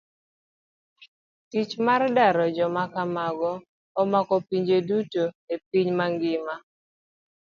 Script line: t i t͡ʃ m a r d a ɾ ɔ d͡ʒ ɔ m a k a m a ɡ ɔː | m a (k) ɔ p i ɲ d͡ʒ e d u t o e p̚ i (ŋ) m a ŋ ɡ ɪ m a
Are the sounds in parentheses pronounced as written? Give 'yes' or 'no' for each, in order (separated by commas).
yes, no